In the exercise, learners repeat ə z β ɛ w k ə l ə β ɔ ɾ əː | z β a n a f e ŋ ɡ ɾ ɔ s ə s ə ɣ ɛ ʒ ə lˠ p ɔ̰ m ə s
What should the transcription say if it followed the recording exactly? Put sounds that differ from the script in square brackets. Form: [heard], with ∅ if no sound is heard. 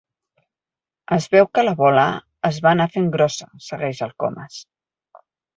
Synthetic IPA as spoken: ə z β ɛ w k ə l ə β ɔ [l] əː | z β a n a f e ŋ ɡ ɾ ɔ s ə s ə ɣ ɛ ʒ ə lˠ [k] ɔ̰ m ə s